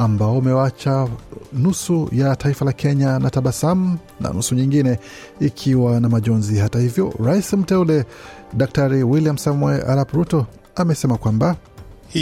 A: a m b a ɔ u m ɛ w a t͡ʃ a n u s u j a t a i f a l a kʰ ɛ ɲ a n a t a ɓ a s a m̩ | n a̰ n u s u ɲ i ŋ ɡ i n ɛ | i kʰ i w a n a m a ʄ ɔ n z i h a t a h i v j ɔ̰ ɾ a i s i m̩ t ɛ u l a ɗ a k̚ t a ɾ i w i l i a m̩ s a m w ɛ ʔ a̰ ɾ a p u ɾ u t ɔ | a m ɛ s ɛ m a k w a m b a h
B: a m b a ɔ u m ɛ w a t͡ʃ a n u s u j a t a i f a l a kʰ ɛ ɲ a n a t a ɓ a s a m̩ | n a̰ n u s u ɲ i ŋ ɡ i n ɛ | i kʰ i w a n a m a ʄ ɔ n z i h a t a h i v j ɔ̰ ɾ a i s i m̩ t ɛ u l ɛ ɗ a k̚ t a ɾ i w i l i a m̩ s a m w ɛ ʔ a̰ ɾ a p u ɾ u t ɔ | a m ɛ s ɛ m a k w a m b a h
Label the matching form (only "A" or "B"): B